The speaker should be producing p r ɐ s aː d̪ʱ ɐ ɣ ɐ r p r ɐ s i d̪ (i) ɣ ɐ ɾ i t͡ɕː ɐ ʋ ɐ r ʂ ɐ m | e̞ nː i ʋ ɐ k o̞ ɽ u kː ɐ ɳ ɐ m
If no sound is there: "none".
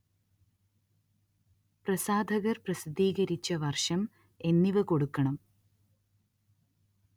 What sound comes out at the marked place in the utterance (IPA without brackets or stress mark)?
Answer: iː